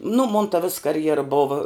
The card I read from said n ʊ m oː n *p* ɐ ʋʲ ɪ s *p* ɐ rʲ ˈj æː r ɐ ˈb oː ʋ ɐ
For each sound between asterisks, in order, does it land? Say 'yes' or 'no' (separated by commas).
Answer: no, no